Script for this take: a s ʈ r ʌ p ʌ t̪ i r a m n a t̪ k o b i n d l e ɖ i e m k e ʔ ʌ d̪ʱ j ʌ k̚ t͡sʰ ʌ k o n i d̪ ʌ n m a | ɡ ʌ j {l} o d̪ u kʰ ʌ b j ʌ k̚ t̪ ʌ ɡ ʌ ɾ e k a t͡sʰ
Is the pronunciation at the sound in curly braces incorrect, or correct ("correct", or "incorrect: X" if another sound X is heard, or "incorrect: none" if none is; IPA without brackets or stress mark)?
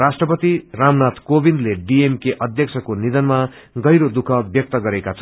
incorrect: ɾ